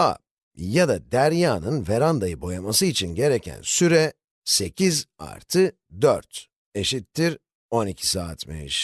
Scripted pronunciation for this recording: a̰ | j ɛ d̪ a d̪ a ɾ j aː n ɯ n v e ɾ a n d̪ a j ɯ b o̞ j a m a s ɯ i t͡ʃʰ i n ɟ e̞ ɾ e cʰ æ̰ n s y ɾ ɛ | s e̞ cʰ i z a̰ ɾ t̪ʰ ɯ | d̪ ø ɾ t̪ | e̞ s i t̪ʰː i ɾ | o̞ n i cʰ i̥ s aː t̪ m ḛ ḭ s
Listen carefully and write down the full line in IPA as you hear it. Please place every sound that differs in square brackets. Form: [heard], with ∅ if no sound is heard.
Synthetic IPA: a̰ | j [a] d̪ a d̪ [æ] ɾ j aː n ɯ n v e ɾ a n d̪ a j ɯ b o̞ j a m a s ɯ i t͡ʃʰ i n ɟ e̞ ɾ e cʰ æ̰ n s y ɾ ɛ | s e̞ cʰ i z a̰ ɾ t̪ʰ ɯ | d̪ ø ɾ t̪ | e̞ [ʃ] i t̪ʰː i ɾ | o̞ n i cʰ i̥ s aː t̪ m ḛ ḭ [ʃ]